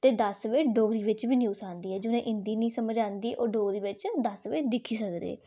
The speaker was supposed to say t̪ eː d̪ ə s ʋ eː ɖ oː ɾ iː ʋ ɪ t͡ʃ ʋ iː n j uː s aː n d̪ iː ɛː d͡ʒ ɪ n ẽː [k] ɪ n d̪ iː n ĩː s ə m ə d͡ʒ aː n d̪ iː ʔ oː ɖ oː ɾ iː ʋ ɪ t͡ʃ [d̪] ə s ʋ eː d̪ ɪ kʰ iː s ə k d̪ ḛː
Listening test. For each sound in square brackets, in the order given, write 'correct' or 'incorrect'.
incorrect: ʔ, correct

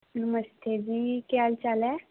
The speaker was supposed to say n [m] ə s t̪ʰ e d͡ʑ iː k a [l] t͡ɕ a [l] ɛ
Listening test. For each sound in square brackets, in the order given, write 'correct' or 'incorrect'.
correct, correct, correct

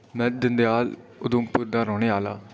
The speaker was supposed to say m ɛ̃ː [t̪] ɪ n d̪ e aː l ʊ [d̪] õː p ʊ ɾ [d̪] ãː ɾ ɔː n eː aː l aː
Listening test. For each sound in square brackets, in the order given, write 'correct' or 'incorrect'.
incorrect: d̪, correct, correct

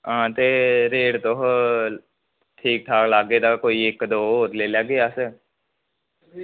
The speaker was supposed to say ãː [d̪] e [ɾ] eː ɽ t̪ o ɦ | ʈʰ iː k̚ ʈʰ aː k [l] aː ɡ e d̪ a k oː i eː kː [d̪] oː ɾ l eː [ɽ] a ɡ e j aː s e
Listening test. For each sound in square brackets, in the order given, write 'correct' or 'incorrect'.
incorrect: t̪, correct, correct, correct, incorrect: l

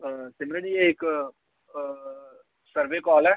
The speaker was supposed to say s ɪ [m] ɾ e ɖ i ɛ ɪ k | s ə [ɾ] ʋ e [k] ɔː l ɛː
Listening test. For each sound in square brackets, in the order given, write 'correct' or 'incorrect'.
correct, correct, correct

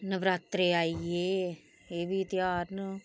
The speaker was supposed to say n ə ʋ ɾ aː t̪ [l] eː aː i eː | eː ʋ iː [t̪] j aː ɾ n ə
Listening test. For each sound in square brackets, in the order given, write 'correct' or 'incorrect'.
incorrect: ɾ, correct

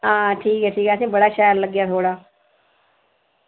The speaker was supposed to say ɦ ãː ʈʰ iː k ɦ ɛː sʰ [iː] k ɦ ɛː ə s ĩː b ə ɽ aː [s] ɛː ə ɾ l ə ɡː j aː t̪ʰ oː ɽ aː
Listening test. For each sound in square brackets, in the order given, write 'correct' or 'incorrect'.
correct, incorrect: ʃ

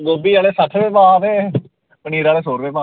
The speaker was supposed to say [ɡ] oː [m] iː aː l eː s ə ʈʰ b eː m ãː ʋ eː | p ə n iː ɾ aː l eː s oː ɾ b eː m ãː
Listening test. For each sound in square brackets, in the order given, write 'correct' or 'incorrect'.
correct, incorrect: b

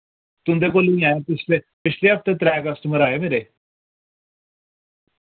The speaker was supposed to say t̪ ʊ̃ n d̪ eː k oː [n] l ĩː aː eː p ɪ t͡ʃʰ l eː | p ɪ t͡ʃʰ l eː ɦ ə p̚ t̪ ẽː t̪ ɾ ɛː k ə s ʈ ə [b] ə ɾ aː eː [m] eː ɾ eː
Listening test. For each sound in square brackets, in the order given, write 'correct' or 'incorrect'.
incorrect: none, incorrect: m, correct

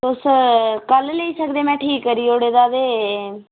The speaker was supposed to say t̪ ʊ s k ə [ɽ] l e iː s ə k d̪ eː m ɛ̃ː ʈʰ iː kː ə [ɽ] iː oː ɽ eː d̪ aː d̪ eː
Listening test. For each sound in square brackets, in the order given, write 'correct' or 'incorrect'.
incorrect: l, incorrect: ɾ

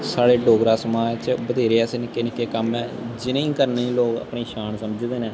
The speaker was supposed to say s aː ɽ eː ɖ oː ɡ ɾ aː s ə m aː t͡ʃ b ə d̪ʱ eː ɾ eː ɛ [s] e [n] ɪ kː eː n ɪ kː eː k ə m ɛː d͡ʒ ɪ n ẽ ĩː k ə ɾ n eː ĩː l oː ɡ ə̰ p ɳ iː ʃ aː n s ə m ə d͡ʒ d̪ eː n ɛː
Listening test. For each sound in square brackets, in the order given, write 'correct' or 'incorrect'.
correct, correct

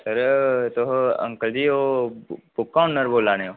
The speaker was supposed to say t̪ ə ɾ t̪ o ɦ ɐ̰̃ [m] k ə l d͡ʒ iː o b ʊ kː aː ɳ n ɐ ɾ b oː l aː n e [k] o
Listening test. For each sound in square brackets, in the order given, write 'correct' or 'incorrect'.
incorrect: ŋ, incorrect: none

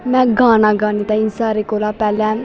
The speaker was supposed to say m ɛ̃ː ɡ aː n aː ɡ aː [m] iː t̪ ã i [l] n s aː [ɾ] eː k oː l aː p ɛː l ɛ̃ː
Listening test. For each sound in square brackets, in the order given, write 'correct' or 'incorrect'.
incorrect: n, incorrect: none, correct

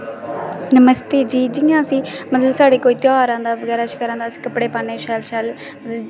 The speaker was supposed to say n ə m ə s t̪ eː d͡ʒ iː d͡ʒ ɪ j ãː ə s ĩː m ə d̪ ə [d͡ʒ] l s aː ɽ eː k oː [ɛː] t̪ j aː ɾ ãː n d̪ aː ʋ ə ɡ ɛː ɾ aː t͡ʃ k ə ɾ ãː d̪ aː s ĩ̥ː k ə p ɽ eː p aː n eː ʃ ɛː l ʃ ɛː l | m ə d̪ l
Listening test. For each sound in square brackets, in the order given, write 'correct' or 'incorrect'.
incorrect: none, incorrect: iː

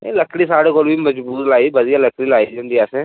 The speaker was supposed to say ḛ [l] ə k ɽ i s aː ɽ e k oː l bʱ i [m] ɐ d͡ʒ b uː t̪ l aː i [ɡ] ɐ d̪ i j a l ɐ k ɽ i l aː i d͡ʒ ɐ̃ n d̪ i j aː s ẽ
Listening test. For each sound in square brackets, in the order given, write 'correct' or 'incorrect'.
correct, correct, incorrect: b

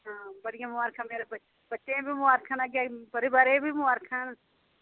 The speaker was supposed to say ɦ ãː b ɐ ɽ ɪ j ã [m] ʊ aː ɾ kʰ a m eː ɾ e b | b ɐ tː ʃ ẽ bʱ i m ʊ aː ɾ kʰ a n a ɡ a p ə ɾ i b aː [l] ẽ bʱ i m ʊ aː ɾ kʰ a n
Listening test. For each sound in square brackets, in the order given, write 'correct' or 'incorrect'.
correct, incorrect: ɾ

